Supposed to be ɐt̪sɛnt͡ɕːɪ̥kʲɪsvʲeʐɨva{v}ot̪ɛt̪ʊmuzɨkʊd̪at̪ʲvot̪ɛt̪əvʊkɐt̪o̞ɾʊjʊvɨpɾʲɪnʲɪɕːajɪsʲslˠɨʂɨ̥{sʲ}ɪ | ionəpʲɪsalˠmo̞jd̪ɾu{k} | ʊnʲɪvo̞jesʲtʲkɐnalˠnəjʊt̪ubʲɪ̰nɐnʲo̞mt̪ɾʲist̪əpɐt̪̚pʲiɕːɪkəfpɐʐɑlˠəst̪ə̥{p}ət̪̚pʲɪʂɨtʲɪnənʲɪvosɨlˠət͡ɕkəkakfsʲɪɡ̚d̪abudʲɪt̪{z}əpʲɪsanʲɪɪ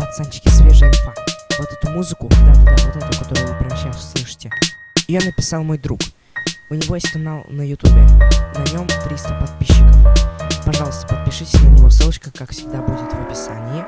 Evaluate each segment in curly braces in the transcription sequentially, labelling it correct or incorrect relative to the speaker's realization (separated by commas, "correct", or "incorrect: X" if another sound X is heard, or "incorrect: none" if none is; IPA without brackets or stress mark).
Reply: correct, incorrect: tʲ, correct, correct, incorrect: v